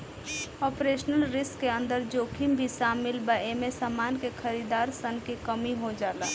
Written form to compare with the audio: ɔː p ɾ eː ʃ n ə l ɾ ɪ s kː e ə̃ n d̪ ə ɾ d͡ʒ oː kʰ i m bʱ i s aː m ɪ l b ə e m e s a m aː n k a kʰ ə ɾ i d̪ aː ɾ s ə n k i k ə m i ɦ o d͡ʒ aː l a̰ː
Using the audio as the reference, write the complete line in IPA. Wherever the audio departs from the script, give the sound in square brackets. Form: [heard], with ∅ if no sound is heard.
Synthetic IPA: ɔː p ɾ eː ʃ n ə l ɾ ɪ s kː e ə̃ n d̪ ə ɾ d͡ʒ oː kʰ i m bʱ i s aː m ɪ l b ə e m e s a m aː n k [e] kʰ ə ɾ i d̪ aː ɾ s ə n k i k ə m i ɦ o d͡ʒ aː l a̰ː